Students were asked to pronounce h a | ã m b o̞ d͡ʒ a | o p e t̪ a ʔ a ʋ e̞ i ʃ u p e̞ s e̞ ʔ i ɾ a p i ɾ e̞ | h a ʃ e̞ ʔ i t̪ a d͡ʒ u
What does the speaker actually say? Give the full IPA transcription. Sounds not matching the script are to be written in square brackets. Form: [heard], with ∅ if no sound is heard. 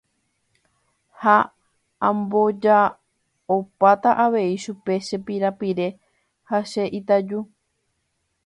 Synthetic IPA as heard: h a | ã m b o̞ d͡ʒ a | o p [a] t̪ a ʔ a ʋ e̞ i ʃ u p e̞ [ʃ] e̞ [p] i ɾ a p i ɾ e̞ | h a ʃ e̞ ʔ i t̪ a d͡ʒ u